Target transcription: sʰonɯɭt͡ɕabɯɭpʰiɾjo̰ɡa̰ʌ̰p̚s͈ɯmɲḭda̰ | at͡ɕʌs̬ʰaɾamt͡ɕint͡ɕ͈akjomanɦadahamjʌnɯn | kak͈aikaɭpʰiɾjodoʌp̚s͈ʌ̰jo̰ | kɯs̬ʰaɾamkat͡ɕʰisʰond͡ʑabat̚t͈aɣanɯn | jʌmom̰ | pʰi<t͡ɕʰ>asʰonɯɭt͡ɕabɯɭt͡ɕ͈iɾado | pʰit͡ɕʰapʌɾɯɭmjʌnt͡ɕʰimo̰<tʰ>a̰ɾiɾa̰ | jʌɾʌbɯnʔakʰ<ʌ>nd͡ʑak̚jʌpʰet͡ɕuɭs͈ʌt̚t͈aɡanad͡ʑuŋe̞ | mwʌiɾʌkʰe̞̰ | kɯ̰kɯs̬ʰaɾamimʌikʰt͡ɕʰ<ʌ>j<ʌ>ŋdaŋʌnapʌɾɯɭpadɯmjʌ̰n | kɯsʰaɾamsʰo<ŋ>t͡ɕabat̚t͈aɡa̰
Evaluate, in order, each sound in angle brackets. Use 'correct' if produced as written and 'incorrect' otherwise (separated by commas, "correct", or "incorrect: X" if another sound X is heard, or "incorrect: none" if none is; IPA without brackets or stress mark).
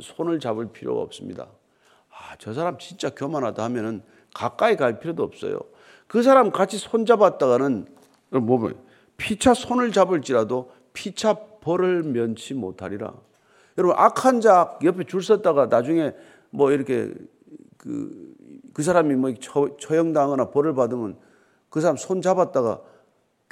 correct, correct, incorrect: a, correct, correct, incorrect: n